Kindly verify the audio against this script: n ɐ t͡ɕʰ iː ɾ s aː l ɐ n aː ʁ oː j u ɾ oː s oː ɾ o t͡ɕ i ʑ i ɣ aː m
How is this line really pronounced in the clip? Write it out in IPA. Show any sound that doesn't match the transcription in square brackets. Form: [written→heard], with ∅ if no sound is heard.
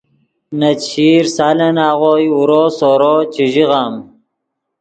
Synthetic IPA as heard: n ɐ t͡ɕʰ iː ɾ s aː l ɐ n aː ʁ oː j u ɾ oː s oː ɾ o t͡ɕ i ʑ i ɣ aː m